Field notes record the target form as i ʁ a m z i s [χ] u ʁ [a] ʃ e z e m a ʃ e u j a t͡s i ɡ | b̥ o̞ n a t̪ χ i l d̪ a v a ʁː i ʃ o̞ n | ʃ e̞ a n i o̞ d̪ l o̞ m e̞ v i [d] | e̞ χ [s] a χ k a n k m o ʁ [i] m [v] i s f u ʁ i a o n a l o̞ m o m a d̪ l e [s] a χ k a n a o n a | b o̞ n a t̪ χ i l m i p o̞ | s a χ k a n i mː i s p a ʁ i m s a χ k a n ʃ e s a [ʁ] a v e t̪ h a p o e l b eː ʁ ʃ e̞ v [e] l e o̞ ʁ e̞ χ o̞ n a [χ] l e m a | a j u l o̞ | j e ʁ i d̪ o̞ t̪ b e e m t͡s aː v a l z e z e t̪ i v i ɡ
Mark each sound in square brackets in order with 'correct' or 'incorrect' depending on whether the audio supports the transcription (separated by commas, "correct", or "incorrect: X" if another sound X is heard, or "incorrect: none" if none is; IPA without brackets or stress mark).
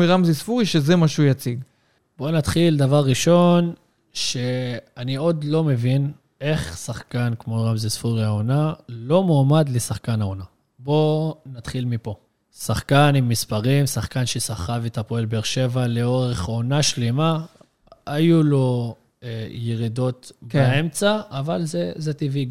incorrect: f, incorrect: i, incorrect: n, correct, incorrect: a, incorrect: z, correct, incorrect: χ, incorrect: a, incorrect: ʃ